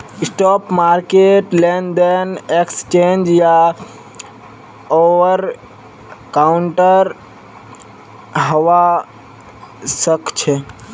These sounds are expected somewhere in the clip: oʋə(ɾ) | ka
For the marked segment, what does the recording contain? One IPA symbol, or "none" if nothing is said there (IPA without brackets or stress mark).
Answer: ɾ